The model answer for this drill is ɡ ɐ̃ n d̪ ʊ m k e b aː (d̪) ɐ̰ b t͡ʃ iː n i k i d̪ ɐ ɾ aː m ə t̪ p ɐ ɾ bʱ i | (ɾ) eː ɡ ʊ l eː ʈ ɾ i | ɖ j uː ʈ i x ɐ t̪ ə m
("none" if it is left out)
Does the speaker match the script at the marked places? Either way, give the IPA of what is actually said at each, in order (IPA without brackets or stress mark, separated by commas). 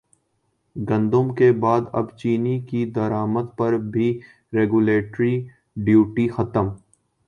d̪, ɾ